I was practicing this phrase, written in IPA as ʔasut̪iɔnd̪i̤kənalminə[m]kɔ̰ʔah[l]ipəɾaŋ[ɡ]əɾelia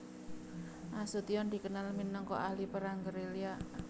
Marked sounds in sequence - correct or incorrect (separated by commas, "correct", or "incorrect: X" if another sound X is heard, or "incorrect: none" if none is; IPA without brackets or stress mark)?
incorrect: ŋ, correct, correct